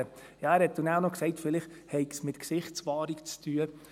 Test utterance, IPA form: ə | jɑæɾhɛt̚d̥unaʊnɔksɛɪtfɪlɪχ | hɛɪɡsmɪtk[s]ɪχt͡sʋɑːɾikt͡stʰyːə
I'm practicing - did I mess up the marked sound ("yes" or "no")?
no